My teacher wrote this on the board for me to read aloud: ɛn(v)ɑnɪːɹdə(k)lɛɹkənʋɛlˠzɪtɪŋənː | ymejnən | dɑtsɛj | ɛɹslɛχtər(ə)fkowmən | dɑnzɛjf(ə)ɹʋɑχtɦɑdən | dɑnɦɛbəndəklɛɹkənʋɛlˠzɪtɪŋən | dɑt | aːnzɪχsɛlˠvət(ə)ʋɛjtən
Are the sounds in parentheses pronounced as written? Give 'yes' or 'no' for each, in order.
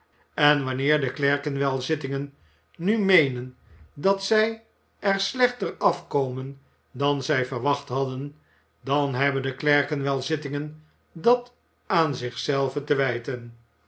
no, yes, no, yes, yes

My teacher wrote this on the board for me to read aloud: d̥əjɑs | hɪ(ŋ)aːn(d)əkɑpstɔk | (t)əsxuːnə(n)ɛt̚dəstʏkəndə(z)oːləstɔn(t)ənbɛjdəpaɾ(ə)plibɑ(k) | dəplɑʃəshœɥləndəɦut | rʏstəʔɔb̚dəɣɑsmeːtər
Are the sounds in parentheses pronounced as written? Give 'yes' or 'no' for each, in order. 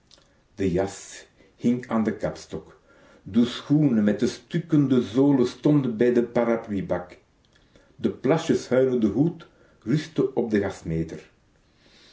yes, yes, no, no, yes, no, no, yes

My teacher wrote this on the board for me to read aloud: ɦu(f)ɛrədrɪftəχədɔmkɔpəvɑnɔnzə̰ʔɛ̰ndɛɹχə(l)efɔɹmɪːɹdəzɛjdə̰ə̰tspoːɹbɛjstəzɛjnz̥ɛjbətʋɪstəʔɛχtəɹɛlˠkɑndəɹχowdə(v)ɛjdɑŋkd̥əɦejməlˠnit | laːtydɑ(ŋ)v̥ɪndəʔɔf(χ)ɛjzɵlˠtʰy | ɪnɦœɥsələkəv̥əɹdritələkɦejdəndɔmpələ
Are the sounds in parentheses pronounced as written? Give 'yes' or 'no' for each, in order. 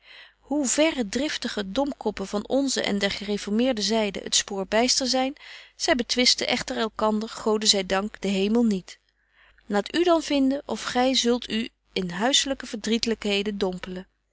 no, no, no, no, yes

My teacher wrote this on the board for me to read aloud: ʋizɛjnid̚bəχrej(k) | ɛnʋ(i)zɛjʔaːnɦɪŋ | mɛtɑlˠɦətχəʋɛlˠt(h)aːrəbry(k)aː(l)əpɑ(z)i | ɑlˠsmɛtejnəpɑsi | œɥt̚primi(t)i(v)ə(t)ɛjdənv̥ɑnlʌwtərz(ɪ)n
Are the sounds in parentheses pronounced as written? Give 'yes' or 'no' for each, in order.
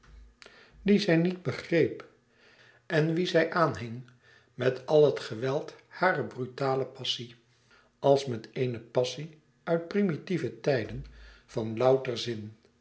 no, yes, yes, no, yes, no, yes, yes, yes, yes

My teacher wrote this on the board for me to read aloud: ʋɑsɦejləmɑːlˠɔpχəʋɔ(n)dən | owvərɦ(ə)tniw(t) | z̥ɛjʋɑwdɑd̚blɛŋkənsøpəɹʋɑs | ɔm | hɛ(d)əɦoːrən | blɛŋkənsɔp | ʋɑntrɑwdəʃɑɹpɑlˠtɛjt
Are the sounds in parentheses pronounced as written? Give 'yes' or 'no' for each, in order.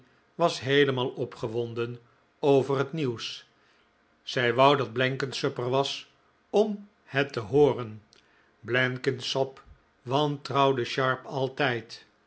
yes, yes, no, no

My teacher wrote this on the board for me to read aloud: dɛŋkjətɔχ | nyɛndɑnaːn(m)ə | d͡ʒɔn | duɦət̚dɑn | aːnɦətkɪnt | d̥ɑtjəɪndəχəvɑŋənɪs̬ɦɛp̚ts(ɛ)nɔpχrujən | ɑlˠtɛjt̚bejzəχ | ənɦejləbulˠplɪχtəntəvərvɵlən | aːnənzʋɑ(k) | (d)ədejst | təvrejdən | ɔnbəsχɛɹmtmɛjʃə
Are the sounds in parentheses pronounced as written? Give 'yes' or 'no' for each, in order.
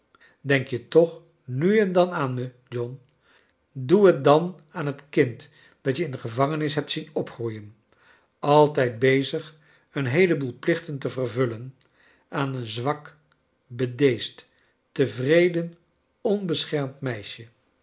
yes, no, yes, no

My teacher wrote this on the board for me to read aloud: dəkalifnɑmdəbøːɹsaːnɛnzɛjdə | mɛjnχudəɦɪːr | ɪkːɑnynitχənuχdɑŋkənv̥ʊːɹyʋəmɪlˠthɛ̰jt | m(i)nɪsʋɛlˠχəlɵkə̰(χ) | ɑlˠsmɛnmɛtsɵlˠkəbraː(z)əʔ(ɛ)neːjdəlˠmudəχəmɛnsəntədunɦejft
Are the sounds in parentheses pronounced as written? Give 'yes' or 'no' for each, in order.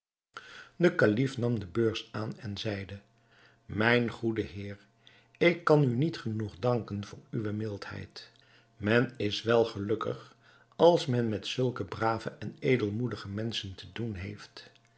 no, yes, no, yes

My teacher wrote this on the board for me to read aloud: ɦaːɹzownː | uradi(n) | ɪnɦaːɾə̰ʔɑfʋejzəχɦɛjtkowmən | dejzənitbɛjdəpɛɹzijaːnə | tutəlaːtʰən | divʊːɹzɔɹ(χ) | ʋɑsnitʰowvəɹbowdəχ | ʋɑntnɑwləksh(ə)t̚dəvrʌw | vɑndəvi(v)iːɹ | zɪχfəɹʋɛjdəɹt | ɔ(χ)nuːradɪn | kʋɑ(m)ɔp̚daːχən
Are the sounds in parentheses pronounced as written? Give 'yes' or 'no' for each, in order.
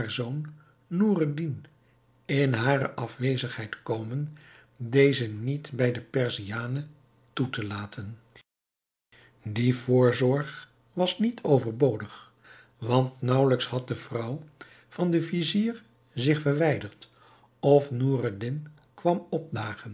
yes, yes, no, no, no, yes

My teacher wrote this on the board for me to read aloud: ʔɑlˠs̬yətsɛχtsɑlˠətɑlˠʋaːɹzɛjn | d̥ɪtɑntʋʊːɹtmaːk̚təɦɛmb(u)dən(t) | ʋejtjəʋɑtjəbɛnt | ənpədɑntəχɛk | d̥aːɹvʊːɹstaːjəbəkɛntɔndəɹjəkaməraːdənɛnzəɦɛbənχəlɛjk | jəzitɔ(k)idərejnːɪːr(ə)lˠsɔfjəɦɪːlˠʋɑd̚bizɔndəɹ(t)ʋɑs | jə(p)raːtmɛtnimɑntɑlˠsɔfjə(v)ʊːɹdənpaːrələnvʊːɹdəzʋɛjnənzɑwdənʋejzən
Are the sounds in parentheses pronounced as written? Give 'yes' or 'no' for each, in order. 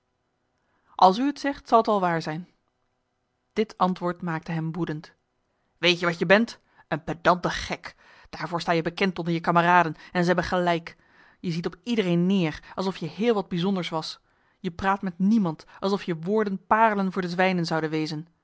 yes, yes, no, no, no, yes, no

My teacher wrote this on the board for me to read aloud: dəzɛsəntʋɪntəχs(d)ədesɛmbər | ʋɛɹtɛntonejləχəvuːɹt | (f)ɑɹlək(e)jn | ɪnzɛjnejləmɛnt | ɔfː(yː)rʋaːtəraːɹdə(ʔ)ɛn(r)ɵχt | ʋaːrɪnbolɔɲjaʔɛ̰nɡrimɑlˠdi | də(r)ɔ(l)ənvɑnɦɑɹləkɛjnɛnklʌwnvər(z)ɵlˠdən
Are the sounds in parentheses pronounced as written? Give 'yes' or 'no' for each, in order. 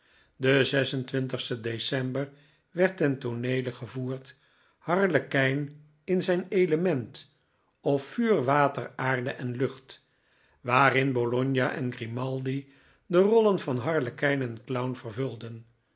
no, no, no, yes, yes, no, yes, yes, no

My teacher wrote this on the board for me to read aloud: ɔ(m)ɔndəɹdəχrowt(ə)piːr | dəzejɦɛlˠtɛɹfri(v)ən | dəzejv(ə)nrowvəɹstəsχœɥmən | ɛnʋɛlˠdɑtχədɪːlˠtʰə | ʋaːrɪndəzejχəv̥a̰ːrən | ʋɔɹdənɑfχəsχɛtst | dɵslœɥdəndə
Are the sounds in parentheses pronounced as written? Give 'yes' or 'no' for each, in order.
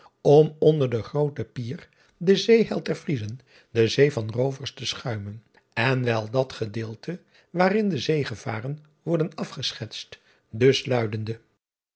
yes, yes, no, no

